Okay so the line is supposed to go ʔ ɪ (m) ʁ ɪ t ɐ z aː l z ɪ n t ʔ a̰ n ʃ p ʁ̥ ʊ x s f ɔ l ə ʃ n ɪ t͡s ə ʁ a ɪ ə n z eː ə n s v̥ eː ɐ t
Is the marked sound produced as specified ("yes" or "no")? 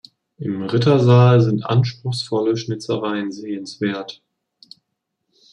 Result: yes